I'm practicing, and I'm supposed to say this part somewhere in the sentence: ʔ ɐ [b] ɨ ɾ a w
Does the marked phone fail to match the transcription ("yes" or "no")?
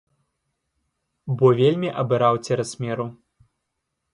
no